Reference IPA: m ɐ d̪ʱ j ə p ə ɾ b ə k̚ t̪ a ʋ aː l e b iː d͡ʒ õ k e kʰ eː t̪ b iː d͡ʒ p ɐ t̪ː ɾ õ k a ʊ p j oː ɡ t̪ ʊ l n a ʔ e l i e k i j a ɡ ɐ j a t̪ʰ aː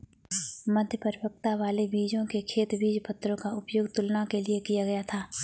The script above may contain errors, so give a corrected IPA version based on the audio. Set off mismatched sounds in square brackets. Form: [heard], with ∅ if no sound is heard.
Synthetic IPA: m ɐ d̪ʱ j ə p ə ɾ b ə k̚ t̪ a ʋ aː l e b iː d͡ʒ õ k e kʰ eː t̪ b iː d͡ʒ p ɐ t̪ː ɾ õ k a ʊ p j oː ɡ t̪ ʊ l n a [k] e l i e k i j a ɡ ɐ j a t̪ʰ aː